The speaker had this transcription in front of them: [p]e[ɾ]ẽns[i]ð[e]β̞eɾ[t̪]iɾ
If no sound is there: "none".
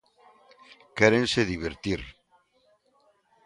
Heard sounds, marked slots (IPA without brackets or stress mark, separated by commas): k, ɾ, e, i, t̪